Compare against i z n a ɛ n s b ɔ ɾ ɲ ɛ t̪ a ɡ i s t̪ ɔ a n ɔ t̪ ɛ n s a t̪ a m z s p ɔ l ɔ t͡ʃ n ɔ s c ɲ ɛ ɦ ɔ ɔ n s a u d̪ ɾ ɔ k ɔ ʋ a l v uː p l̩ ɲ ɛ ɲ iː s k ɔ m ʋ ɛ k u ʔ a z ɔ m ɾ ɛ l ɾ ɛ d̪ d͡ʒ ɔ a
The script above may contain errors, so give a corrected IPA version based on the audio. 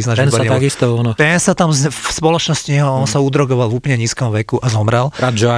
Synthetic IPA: i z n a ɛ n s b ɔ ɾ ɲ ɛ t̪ a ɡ i s t̪ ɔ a n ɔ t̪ ɛ n s a t̪ a m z s p ɔ l ɔ t͡ʃ n ɔ s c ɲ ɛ ɦ ɔ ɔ n s a u d̪ ɾ ɔ ɡ ɔ ʋ a l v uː p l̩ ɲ ɛ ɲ iː s k ɔ m ʋ ɛ k u ʔ a z ɔ m ɾ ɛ l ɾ a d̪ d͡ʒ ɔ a